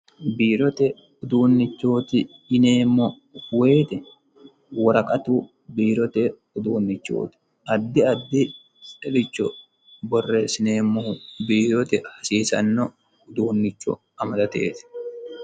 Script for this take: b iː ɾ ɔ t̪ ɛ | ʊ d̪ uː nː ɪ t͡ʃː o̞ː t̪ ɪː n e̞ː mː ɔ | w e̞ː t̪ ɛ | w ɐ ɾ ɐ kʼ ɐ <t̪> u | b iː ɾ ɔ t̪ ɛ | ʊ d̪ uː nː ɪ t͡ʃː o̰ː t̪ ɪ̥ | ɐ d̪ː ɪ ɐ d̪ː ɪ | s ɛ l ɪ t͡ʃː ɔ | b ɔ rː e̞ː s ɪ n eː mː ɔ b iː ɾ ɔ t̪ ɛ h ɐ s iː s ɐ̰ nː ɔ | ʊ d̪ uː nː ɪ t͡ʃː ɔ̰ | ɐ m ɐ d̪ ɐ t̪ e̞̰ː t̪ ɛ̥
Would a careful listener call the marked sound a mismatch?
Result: no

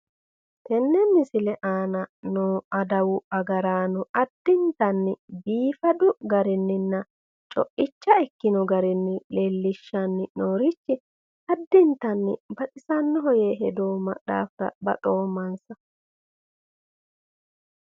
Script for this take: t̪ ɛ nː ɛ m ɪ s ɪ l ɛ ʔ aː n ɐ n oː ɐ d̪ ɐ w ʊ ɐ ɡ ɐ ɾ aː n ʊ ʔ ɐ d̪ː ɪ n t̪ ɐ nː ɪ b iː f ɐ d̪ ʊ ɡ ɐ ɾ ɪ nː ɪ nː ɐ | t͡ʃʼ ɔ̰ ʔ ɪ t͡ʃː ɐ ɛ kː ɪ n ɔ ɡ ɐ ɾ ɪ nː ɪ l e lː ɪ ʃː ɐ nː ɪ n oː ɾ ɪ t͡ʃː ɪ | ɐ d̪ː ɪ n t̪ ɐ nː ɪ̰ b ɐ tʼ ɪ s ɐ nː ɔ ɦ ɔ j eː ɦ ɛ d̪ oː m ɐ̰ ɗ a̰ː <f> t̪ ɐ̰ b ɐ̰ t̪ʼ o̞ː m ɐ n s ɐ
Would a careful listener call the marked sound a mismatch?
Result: no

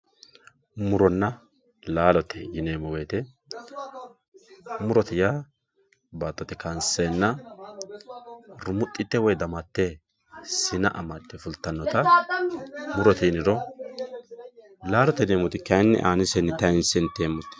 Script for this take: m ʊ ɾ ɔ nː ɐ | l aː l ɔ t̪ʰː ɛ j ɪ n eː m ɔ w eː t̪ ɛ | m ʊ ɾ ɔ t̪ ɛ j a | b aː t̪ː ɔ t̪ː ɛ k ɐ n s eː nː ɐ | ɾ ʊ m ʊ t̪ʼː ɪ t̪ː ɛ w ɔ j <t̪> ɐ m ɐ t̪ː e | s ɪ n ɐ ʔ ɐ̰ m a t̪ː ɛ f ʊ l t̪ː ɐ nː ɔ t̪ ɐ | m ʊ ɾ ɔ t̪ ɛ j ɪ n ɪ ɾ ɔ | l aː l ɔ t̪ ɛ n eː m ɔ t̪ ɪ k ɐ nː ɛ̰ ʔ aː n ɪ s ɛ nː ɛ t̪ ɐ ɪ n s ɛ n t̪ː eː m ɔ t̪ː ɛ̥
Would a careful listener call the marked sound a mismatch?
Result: yes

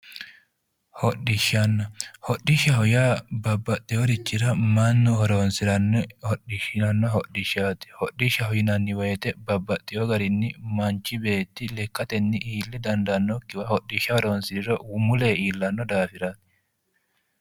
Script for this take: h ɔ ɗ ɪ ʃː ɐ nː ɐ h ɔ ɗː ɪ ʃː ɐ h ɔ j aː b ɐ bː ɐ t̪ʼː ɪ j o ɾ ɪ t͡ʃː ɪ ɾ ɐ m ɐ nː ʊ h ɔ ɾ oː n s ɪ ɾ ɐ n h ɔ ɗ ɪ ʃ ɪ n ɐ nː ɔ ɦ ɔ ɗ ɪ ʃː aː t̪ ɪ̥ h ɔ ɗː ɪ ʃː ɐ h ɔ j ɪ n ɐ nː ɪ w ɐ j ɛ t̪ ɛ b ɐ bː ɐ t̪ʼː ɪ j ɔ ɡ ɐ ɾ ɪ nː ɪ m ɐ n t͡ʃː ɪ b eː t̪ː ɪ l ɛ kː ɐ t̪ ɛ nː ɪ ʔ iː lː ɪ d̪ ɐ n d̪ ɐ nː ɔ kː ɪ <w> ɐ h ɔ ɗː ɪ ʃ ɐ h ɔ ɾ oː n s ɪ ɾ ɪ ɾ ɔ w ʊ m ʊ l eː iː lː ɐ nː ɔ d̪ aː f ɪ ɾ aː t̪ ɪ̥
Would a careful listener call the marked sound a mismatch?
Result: no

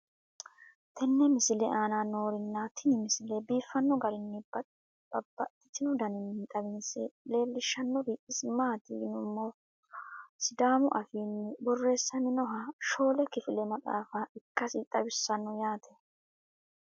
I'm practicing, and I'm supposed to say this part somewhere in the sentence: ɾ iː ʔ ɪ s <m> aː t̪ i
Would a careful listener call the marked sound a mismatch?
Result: no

